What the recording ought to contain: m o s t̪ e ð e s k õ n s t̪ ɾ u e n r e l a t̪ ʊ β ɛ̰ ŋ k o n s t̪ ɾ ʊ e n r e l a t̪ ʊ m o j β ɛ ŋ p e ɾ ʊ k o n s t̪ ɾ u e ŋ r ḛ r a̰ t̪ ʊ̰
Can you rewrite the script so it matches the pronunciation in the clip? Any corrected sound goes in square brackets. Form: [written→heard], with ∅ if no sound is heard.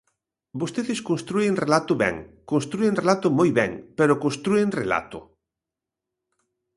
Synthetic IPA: [m→b] o s t̪ e ð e s k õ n s t̪ ɾ u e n r e l a t̪ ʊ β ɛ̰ ŋ k o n s t̪ ɾ [ʊ→u] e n r e l a t̪ ʊ m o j β ɛ ŋ p e ɾ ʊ k o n s t̪ ɾ u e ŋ r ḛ [r→l] a̰ t̪ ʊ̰